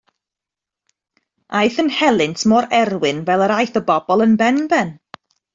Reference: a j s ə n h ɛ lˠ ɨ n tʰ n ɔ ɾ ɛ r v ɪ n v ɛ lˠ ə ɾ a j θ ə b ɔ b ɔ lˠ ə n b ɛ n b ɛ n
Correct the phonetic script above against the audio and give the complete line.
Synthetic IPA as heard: a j θ ə n h ɛ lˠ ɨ n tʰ m ɔ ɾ ɛ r w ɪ n v ɛ lˠ ə ɾ a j θ ə b ɔ b ɔ lˠ ə n b ɛ n b ɛ n